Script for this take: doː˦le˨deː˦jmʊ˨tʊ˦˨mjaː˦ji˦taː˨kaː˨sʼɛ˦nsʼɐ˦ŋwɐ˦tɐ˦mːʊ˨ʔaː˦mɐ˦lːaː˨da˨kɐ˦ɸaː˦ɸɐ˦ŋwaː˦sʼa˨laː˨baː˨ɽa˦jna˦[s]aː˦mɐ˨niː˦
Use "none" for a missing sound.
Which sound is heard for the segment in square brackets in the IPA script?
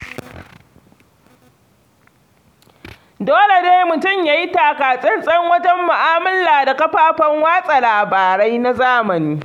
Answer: z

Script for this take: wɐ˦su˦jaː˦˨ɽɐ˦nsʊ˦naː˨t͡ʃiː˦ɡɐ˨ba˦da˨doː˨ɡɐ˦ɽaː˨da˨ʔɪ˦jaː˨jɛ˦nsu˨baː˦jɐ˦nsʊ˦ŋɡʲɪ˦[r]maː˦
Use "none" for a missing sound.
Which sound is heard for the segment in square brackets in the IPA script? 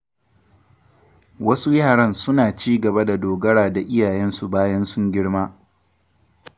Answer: ɽ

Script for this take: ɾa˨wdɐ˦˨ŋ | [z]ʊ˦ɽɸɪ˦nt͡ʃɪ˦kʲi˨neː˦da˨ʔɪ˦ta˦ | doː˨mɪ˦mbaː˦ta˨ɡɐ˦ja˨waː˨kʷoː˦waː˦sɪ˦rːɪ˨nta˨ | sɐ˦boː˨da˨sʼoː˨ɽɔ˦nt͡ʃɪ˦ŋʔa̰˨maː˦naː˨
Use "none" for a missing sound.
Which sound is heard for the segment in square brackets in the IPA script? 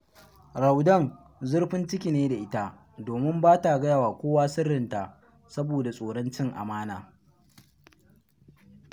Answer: z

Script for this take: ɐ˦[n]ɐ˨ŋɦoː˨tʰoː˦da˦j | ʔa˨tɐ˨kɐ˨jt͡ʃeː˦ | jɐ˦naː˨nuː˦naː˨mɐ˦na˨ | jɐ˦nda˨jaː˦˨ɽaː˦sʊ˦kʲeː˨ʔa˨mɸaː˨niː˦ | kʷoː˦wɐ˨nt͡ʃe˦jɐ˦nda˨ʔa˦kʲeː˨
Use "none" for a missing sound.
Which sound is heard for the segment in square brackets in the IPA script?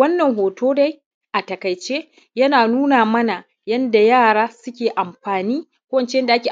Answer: nː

